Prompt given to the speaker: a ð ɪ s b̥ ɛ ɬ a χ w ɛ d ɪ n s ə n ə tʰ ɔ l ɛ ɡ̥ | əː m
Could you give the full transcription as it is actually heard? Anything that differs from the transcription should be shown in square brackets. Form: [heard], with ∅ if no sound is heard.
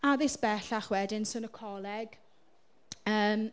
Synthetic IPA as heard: a ð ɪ s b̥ ɛ ɬ a χ w ɛ d ɪ n s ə n ə [kʰ] ɔ l ɛ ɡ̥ | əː m